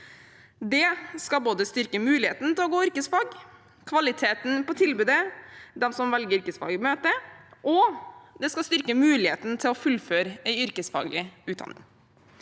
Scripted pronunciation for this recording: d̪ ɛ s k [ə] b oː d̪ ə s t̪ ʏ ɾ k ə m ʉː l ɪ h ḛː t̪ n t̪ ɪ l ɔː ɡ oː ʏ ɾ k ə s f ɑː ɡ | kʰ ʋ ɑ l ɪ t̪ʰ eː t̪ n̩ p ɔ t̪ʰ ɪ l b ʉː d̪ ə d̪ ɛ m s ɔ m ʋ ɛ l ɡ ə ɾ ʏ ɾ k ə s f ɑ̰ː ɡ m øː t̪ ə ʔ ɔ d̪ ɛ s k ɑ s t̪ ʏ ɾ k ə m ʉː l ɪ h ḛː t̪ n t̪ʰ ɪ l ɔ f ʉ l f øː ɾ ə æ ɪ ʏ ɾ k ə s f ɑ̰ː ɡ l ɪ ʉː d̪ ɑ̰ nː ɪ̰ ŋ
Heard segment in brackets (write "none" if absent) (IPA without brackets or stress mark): ɑ